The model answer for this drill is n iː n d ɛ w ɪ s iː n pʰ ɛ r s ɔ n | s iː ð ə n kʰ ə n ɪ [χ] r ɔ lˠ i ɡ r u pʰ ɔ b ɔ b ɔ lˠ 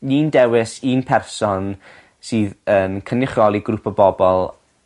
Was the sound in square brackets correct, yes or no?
yes